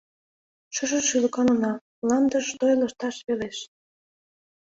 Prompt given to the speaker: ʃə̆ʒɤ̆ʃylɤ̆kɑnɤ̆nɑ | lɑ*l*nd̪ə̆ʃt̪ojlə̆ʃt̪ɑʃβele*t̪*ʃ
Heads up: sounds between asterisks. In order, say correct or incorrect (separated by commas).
incorrect, incorrect